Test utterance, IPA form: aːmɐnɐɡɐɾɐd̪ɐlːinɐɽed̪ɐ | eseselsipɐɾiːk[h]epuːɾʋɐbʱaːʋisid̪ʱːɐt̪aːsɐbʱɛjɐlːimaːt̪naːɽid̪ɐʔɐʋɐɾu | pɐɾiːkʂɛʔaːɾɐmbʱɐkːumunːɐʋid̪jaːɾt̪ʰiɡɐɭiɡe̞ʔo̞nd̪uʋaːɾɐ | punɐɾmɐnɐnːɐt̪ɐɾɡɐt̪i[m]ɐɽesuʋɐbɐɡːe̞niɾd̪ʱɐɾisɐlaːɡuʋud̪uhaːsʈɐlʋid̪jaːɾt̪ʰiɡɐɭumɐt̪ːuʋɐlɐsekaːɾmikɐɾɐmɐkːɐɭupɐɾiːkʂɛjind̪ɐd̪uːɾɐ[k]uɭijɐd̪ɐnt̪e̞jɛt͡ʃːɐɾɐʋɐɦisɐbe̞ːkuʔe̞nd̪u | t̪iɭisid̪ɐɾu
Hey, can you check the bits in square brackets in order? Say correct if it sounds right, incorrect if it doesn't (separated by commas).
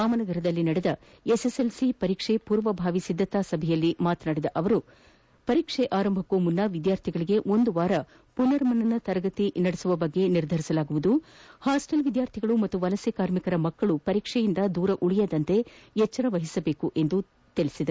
incorrect, incorrect, incorrect